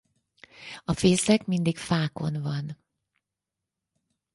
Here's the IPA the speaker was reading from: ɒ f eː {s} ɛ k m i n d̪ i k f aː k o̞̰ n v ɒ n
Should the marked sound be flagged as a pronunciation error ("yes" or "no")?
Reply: no